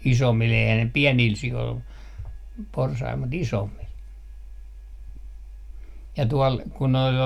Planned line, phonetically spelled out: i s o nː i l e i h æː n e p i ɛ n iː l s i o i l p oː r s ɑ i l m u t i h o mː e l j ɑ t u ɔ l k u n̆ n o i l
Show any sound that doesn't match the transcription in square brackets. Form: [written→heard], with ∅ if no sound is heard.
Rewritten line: i s o [nː→mː] i l e i h [æː→æ] n e p i ɛ n iː l s i o i l p [oː→o] r s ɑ i l m u t i [h→s] o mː [e→i] l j ɑ t u ɔ l k u n̆ n o i l